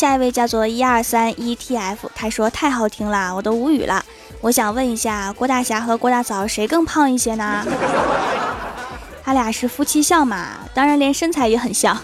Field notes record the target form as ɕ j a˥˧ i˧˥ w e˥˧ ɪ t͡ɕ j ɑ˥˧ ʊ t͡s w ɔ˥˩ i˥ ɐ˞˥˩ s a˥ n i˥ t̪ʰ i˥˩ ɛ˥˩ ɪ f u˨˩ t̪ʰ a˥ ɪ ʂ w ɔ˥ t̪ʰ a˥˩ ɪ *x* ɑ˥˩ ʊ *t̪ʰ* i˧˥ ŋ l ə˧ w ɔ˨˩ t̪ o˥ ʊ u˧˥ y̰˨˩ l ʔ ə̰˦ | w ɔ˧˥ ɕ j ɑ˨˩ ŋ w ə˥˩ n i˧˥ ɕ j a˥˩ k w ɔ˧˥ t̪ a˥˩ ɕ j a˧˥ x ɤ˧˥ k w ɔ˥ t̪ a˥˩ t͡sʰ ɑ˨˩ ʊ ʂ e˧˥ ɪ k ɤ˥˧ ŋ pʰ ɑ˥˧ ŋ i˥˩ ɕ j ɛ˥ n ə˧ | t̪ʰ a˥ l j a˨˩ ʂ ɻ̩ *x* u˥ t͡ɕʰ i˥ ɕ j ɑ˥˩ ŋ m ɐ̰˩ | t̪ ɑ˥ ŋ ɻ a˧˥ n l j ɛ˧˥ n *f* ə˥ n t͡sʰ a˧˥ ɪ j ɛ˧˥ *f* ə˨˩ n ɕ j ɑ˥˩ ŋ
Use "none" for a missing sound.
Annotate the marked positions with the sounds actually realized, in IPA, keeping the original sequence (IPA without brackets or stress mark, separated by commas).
x, t̪ʰ, f, ʂ, x